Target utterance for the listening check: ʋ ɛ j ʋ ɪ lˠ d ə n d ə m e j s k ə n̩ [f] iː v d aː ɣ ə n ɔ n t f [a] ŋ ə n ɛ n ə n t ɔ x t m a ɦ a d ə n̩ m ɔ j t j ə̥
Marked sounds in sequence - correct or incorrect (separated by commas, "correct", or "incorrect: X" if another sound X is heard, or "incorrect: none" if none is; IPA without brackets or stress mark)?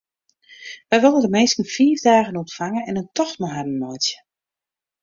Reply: correct, correct